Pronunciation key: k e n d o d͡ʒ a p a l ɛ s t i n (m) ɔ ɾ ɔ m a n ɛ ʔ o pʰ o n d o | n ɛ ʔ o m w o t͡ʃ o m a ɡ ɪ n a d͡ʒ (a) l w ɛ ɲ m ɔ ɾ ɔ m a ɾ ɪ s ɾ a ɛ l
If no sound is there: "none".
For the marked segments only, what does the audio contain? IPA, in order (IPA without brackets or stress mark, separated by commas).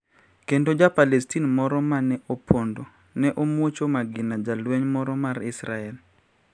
m, a